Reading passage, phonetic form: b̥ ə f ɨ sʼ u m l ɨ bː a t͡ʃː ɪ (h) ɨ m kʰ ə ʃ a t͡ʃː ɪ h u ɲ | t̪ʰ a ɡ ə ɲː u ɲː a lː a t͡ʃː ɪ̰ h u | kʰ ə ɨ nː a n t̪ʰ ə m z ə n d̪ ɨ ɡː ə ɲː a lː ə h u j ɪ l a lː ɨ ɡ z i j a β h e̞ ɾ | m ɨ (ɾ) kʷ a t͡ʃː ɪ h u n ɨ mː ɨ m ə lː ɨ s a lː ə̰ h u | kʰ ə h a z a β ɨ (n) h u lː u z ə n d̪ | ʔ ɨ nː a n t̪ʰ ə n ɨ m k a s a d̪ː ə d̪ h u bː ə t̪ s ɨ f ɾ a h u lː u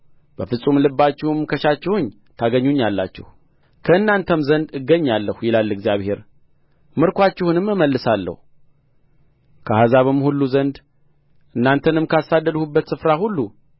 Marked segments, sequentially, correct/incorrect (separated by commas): correct, correct, incorrect